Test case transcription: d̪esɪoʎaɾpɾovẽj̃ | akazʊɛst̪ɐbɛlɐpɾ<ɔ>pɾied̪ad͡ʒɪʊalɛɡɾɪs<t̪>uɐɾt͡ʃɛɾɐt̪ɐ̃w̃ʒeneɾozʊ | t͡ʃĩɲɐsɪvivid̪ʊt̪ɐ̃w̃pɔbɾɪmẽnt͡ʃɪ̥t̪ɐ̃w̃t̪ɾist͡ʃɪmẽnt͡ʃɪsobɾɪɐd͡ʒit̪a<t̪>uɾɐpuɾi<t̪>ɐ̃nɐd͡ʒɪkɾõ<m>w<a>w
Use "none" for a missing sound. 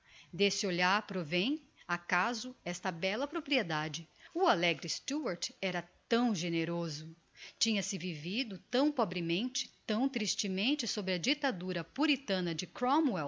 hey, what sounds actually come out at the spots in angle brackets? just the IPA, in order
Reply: o, t̪, d̪, t̪, m, ɛ

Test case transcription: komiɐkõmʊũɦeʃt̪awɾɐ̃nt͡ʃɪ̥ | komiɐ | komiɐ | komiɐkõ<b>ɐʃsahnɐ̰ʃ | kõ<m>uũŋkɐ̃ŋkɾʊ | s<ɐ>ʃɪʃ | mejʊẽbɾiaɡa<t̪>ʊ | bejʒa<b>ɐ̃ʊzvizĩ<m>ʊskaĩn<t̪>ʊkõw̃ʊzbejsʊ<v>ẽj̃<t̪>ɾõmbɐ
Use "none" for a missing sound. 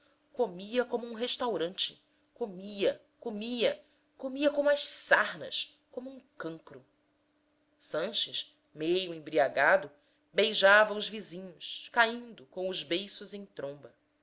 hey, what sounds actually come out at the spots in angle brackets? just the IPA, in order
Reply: m, m, ɐ̃, d̪, v, ɲ, d̪, z, t̪

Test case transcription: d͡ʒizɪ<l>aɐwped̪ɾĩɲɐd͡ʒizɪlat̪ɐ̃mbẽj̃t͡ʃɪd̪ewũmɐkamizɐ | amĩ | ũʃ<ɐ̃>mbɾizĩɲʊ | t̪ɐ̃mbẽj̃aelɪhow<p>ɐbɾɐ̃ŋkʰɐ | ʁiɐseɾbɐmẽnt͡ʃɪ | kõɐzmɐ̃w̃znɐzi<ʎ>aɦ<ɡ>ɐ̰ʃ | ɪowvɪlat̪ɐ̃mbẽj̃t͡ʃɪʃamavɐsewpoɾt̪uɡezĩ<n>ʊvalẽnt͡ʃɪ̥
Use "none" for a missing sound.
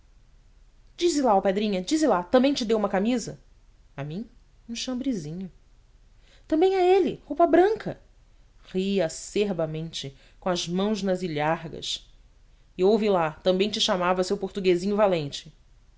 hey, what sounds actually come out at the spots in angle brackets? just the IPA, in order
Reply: l, ɐ̃, p, ʎ, ɡ, ɲ

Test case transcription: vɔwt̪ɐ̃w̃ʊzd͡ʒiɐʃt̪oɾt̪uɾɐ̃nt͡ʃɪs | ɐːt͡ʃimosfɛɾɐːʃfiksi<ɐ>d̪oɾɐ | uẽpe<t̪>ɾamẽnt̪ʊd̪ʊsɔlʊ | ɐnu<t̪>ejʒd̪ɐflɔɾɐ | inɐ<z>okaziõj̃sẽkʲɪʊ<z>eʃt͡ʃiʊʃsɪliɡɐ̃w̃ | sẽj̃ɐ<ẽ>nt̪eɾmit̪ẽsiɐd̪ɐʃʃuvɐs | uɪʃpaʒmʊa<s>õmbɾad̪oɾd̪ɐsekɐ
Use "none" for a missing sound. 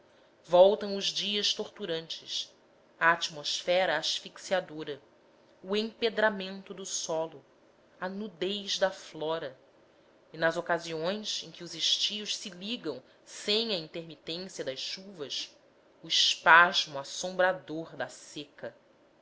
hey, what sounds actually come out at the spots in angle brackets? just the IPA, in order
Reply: a, d̪, d̪, z, z, ĩ, s

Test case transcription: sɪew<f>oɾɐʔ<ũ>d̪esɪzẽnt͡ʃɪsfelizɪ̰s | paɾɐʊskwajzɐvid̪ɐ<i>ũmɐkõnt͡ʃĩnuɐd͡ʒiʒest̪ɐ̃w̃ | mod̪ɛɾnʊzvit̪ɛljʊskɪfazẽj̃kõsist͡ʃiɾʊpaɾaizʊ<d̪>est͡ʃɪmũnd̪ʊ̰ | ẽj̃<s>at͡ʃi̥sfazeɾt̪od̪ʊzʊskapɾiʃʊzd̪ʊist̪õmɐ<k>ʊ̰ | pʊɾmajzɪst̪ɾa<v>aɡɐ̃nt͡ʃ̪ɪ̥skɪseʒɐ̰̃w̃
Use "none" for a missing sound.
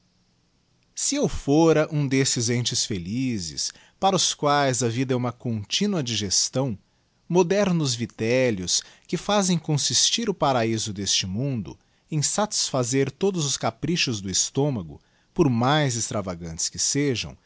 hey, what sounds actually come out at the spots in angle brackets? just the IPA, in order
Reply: f, ũ, ɛ, d̪, s, ɡ, v

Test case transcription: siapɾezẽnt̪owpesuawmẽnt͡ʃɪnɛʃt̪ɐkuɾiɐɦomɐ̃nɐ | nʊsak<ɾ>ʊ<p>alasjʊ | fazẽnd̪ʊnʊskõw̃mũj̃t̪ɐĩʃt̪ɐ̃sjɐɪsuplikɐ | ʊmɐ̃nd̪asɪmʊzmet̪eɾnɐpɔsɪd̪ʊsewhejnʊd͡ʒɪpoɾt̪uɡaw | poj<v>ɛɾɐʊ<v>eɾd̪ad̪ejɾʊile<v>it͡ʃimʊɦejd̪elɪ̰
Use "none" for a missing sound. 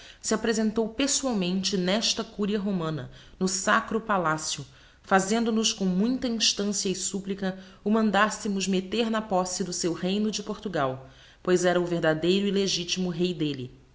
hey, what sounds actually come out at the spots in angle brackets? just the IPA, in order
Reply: ɾ, p, z, v, ʒ

